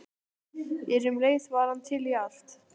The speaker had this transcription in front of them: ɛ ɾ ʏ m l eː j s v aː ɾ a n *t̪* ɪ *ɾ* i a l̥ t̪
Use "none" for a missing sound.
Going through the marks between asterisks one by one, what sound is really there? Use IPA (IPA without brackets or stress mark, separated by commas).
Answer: t̪ʰ, l